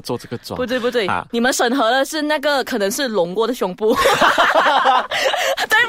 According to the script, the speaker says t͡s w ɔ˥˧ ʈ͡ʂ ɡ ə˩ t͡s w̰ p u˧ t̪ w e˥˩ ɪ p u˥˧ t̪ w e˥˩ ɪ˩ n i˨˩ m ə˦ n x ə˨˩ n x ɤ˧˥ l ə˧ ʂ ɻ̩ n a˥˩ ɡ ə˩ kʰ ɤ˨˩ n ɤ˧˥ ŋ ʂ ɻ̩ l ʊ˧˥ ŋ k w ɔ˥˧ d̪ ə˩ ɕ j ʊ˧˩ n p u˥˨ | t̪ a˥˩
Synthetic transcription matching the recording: t͡s w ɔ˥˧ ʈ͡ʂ ɡ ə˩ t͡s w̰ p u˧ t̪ w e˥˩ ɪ p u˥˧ t̪ w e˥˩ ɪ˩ n i˨˩ m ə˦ n ʂ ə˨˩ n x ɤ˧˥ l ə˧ ʂ ɻ̩ n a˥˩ ɡ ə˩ kʰ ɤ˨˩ n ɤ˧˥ ŋ ʂ ɻ̩ l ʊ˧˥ ŋ k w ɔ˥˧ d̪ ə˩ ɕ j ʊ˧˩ ŋ p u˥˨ | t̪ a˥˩